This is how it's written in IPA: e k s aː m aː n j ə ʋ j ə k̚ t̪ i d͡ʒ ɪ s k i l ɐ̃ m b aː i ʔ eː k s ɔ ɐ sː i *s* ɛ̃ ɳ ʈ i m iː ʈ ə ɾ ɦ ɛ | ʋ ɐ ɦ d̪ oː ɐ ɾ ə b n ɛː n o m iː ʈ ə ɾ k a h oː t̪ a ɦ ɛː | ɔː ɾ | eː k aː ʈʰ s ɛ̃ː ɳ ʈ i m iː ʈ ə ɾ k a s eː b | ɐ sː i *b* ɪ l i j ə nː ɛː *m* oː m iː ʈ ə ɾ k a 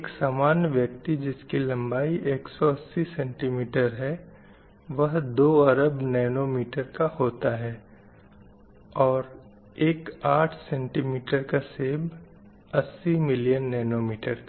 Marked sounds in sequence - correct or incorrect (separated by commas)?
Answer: correct, incorrect, incorrect